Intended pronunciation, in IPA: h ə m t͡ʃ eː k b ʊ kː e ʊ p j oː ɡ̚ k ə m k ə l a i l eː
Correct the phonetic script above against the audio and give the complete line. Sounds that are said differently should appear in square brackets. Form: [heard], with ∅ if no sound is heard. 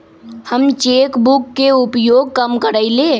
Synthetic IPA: h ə m t͡ʃ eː k b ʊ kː e ʊ p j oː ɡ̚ k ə m k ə [ɾ] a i l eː